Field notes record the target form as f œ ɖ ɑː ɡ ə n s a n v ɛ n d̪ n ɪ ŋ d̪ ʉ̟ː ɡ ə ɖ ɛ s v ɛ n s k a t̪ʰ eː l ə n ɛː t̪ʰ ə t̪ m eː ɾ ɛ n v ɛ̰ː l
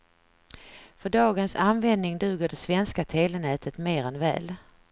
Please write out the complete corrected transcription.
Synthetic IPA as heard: f œ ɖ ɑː ɡ ə n s a n v ɛ n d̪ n ɪ ŋ d̪ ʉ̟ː ɡ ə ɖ ɛ s v ɛ n s k a t̪ʰ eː l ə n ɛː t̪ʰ ə t̪ m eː ɾ ɛ n v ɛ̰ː l